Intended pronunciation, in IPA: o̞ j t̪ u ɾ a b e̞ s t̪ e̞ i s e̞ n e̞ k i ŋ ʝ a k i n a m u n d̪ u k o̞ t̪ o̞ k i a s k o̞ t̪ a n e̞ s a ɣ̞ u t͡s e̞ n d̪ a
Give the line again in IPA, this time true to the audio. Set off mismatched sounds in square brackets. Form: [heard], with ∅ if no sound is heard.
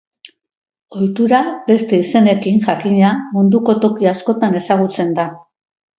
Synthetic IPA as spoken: o̞ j t̪ u ɾ a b e̞ s t̪ e̞ i s e̞ n e̞ k i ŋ ʝ a k i [ɲ] a m u n d̪ u k o̞ t̪ o̞ k i a s k o̞ t̪ a n e̞ s a ɣ̞ u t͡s e̞ n d̪ a